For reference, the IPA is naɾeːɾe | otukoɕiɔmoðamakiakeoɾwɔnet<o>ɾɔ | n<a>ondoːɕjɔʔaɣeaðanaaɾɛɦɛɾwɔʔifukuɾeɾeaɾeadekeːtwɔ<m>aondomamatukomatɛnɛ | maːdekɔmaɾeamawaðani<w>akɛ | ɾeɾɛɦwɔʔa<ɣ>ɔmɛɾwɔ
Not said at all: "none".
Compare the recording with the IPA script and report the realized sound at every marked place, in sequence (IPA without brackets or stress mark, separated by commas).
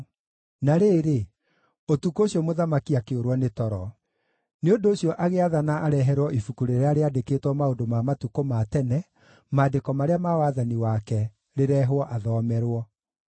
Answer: ɔ, e, m, w, ð